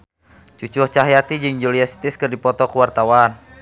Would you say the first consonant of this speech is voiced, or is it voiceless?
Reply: voiceless